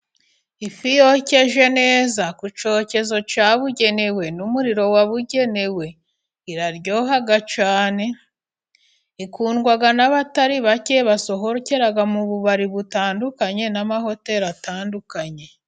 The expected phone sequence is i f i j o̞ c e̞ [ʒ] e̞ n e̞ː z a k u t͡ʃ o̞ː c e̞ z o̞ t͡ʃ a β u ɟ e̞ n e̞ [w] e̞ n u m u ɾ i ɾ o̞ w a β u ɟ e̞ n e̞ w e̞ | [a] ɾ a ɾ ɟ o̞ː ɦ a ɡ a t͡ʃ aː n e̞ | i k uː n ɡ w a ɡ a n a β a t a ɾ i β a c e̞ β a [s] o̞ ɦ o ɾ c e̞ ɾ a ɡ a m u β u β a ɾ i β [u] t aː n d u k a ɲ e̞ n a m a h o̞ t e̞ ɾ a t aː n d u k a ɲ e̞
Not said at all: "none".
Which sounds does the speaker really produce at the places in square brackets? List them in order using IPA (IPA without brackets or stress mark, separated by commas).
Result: ʒ, w, i, s, u